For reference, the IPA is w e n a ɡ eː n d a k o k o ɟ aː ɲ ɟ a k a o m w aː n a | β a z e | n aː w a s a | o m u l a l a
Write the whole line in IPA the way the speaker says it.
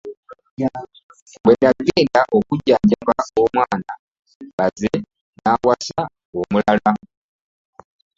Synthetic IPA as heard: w e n a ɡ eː n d a ʔ o k u ɟ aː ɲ ɟ a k a o m w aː n a | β a z e | n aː w a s a | o m u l a l a